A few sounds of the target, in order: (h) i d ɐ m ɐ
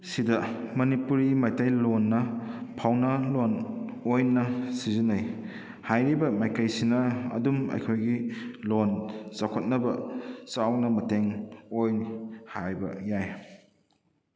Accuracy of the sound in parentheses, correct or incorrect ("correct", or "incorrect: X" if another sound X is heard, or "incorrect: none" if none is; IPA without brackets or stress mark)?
incorrect: s